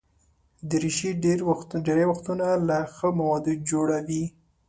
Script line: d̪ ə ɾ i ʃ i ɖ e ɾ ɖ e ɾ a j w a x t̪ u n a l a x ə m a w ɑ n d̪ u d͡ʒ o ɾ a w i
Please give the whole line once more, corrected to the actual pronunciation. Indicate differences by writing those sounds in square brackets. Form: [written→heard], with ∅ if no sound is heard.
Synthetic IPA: d̪ ə ɾ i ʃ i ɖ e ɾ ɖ e ɾ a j w a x t̪ u n a l a x ə m a w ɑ [n→∅] d̪ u d͡ʒ o [ɾ→ɽ] a w i